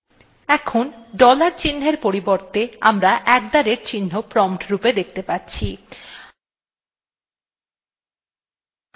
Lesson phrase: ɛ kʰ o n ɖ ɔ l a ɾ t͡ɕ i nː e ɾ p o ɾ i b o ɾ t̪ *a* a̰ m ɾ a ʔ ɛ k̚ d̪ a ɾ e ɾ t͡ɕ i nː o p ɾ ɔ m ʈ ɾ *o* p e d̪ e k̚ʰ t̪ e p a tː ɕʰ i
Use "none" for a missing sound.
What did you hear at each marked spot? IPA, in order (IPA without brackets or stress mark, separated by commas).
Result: e, u